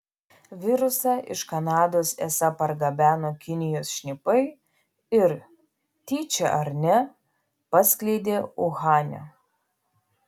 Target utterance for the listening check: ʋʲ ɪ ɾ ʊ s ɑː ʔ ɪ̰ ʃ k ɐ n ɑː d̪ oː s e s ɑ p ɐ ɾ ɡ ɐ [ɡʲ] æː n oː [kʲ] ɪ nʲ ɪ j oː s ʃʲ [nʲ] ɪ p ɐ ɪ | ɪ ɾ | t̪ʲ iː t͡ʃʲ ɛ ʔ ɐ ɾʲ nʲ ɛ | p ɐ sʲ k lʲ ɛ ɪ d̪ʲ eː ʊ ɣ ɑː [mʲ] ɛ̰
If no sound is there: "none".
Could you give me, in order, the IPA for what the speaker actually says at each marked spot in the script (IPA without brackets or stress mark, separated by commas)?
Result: bʲ, kʲ, nʲ, nʲ